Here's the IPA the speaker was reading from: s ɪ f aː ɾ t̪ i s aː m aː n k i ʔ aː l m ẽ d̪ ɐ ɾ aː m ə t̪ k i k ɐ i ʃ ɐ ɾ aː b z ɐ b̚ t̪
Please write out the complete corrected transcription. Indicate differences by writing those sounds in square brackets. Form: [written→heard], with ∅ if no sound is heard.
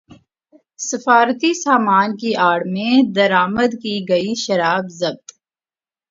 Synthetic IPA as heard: s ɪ f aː ɾ t̪ i s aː m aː n k i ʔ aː [l→ɽ] m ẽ d̪ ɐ ɾ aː m ə [t̪→d̪] k i [k→ɡ] ɐ i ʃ ɐ ɾ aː b z ɐ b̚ t̪